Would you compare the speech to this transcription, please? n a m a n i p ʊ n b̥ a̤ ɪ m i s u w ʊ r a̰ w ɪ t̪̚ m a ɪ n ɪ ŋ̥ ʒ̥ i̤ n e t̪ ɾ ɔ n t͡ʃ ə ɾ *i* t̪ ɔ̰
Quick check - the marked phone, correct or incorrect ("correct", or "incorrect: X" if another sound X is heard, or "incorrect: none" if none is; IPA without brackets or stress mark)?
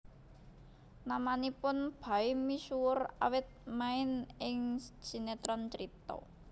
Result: correct